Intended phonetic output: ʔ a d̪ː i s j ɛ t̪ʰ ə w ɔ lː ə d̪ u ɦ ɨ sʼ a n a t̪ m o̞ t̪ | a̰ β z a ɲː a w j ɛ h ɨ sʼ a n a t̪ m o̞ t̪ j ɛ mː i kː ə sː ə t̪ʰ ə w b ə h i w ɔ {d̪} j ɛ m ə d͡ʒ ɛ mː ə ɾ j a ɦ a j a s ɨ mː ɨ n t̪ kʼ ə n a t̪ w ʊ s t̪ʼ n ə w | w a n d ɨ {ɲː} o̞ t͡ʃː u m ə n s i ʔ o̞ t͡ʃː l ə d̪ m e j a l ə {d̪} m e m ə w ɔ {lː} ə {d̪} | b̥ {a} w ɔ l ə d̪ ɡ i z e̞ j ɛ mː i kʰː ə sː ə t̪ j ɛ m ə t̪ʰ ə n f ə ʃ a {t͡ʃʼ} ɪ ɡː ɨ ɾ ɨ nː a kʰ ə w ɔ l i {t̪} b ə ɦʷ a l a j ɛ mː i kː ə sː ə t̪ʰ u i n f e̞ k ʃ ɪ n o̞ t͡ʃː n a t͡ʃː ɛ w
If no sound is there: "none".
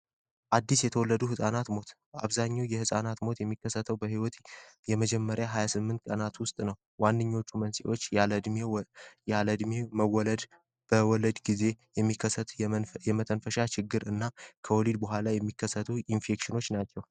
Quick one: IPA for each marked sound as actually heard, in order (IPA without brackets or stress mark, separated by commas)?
t̪, ɲː, d̪, l, d̪, ə, t͡ʃ, d̪